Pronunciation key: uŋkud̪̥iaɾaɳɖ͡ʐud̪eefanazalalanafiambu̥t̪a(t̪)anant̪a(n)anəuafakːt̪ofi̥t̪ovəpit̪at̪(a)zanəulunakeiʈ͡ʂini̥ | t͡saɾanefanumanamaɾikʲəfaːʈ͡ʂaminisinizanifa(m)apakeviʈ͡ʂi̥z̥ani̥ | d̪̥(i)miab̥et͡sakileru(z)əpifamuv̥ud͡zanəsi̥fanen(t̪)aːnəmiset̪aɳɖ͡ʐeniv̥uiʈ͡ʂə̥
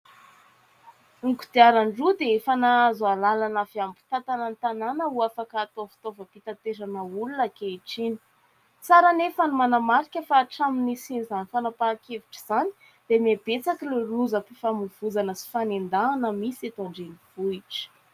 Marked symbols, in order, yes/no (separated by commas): yes, yes, no, no, no, yes, no